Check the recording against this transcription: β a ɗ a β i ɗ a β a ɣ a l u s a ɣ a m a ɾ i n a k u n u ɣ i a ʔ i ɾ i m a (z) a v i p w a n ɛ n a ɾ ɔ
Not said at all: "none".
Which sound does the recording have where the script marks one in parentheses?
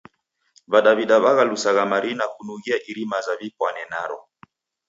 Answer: z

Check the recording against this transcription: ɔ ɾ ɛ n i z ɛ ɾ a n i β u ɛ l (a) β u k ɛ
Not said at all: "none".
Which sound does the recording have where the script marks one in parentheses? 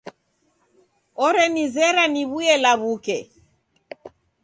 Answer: a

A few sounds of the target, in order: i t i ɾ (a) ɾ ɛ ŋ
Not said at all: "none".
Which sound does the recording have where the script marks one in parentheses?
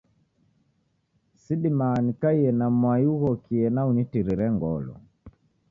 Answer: i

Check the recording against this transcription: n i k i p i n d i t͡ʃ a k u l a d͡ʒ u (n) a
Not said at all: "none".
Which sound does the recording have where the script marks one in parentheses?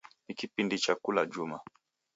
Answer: m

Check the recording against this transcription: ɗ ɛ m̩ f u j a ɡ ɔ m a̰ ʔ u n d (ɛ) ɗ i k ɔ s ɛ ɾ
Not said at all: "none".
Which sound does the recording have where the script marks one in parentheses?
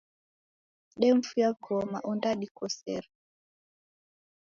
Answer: a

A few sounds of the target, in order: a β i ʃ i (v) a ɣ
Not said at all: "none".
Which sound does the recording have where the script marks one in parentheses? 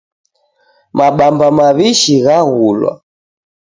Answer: ɣ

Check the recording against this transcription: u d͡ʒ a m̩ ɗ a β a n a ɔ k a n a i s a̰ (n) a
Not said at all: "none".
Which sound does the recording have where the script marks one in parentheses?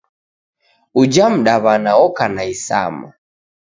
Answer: m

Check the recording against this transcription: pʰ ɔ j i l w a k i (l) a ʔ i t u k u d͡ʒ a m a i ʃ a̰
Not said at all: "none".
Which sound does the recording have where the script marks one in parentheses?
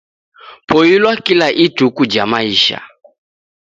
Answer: l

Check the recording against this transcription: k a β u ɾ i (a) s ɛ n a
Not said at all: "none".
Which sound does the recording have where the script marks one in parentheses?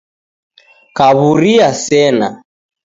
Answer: a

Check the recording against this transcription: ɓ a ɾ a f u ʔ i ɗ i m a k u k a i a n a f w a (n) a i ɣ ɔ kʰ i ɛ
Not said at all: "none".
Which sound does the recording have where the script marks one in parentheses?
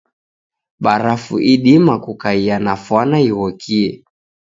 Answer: n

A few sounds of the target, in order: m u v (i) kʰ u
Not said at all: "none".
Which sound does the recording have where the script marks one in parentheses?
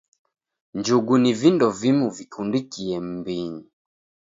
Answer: i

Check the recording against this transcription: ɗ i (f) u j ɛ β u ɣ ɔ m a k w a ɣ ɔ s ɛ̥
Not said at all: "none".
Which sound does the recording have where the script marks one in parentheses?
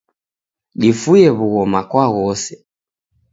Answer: f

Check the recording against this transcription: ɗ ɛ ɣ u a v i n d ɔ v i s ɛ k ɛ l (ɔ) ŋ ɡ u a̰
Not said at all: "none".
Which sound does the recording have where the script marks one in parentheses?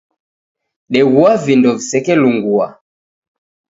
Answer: u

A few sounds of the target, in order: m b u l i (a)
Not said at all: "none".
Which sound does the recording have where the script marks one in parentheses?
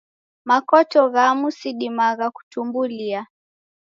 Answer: a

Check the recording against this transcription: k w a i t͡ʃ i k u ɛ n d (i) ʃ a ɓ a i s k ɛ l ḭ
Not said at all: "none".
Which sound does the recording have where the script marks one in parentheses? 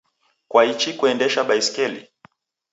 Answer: ɛ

